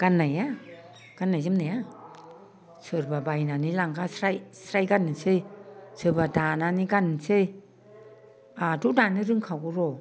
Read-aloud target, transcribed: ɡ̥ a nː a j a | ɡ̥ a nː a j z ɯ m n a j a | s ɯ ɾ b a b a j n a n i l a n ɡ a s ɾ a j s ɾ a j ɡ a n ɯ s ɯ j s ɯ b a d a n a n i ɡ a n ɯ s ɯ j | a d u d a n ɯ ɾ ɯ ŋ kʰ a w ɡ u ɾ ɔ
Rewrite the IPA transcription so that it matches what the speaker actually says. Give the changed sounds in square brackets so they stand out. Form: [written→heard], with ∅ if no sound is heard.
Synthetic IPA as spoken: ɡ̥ a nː a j a | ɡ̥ a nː a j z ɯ m n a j a | s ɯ ɾ b a b a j n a n i l a [n→ŋ] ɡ a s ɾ a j s ɾ a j ɡ a n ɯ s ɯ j s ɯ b a d a n a n i ɡ a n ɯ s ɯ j | a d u d a n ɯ ɾ ɯ ŋ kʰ a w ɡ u ɾ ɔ